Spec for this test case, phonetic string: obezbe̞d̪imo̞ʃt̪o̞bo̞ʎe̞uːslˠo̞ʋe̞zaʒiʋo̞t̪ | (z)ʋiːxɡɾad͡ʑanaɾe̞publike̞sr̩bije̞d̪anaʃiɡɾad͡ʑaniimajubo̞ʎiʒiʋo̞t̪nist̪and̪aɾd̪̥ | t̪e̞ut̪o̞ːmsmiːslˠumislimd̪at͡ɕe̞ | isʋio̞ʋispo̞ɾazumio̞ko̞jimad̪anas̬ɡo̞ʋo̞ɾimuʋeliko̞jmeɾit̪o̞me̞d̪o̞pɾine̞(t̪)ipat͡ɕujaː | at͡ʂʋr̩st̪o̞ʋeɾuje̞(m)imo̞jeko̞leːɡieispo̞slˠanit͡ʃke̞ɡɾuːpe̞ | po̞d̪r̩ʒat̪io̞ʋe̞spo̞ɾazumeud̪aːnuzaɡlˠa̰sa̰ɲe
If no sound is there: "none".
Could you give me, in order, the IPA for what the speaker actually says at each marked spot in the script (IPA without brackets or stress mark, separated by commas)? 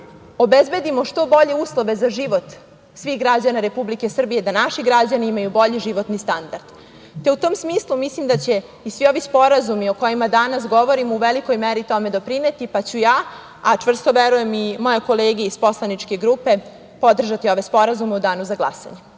s, t̪, m